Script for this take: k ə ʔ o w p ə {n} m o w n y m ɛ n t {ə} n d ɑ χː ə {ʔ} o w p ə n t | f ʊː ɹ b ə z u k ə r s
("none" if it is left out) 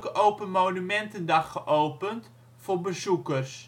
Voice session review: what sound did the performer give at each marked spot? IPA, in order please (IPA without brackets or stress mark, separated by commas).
n, ə, ʔ